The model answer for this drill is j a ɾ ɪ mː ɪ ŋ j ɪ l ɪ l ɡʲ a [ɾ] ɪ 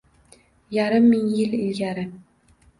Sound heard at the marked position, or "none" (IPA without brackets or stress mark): ɾ